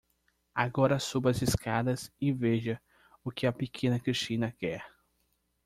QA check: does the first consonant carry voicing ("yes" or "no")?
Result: yes